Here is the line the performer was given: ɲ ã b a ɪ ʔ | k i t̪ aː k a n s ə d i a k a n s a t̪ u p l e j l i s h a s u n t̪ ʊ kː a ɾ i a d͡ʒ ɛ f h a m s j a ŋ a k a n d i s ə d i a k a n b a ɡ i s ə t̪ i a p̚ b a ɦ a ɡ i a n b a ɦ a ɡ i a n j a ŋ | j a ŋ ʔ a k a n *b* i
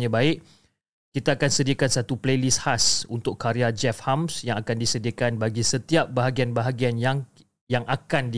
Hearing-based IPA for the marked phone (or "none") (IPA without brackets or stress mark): d